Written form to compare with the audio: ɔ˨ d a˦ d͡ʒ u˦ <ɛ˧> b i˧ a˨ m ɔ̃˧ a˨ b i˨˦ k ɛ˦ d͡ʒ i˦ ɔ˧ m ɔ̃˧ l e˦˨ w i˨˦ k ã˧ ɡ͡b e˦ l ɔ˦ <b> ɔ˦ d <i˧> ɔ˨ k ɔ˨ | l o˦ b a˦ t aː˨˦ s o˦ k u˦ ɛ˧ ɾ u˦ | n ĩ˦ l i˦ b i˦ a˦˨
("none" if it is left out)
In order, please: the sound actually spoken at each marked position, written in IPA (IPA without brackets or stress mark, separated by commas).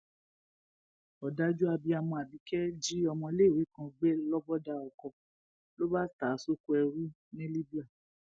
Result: a˧, b, a˧